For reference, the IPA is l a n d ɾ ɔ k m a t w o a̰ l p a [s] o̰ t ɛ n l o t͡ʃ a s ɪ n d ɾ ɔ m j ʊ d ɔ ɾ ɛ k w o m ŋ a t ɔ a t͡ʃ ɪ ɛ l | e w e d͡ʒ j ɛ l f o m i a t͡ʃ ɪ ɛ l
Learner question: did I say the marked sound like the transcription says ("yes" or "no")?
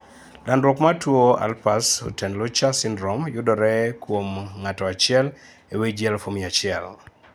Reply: yes